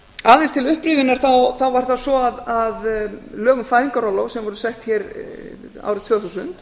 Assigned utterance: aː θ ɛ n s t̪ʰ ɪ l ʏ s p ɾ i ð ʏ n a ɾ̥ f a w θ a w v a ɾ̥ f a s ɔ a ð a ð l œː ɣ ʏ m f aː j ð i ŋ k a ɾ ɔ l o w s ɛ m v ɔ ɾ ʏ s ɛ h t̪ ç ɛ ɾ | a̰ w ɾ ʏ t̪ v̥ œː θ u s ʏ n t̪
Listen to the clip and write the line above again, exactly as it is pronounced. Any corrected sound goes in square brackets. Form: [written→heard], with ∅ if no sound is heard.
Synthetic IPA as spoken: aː [θ→ð] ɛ n s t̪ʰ ɪ l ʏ [s→h] p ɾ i ð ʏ n a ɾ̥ [f→θ] a w θ a w v a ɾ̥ [f→θ] a s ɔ a ð a ð l œː ɣ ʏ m f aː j ð i ŋ k a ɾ ɔ l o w s ɛ m v ɔ ɾ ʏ s ɛ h t̪ ç ɛ ɾ | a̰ w ɾ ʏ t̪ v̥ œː θ u s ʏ n t̪

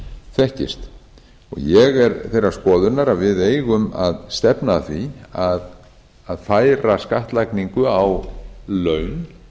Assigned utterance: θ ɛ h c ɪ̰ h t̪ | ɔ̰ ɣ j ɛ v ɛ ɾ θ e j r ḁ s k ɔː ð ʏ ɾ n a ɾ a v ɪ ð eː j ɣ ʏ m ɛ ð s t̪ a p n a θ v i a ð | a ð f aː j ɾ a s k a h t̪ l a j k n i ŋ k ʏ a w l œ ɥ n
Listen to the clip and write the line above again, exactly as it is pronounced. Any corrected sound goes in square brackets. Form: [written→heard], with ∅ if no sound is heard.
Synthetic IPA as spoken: θ ɛ h c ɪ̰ [h→s] t̪ | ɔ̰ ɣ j ɛ [v→ɣ] ɛ ɾ θ e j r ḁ s k ɔː ð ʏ ɾ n a ɾ a v ɪ ð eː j ɣ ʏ m [ɛ→a] ð s t̪ [a→ɛ] p n a θ v i a ð | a ð f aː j ɾ a s k a h t̪ l a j k n i ŋ k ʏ a w l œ ɥ n

